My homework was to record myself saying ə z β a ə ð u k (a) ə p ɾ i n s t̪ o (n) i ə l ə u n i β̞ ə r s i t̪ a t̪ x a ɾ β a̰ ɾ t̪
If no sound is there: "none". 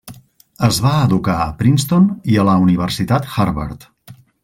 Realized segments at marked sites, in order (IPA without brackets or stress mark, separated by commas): a, n